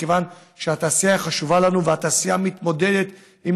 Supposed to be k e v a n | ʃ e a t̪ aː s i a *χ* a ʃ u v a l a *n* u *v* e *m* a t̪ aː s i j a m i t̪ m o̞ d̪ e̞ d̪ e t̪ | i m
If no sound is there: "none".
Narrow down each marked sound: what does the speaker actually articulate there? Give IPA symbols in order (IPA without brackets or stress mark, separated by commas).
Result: χ, n, v, none